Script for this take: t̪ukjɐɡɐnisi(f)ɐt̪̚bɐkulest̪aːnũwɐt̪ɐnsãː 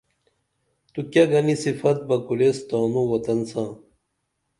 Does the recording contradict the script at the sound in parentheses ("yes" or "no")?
no